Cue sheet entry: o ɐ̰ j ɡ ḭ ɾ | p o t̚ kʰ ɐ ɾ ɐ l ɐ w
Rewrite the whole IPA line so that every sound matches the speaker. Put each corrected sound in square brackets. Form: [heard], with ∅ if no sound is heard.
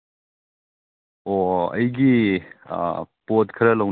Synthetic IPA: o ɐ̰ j ɡ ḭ [∅] | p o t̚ kʰ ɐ ɾ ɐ l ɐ w